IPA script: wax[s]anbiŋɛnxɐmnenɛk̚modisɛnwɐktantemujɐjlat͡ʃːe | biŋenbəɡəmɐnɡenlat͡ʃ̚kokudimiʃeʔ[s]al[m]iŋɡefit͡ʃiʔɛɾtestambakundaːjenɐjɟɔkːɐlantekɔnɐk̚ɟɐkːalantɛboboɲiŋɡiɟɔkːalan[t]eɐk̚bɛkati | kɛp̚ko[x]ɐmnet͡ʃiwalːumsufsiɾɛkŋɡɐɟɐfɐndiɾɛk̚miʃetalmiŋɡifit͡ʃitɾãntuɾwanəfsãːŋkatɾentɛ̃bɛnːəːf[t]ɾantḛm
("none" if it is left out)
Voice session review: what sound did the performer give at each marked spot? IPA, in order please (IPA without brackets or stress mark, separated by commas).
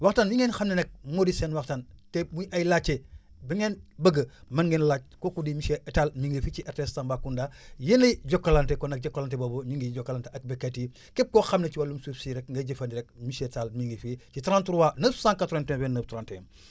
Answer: t, t, m, t, x, t